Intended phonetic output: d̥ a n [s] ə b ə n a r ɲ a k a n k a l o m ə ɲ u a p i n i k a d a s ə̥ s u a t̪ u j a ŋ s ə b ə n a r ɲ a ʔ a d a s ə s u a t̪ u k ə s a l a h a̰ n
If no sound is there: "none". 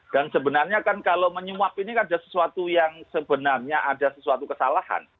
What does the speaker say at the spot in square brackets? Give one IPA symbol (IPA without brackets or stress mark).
s